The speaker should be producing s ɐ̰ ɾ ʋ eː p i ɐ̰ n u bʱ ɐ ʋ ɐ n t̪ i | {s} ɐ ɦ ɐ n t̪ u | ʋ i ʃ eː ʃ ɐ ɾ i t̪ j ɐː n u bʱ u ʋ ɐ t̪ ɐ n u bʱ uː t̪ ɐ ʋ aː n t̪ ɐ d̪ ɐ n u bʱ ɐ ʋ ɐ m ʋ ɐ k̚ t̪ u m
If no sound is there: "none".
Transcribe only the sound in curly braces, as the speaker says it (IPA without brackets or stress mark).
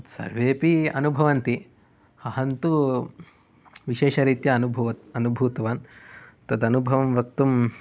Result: h